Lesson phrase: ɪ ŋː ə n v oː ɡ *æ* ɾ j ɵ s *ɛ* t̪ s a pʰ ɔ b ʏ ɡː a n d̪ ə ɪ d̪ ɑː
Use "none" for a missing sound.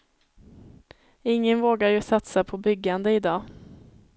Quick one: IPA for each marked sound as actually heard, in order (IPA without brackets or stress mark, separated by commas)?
a, a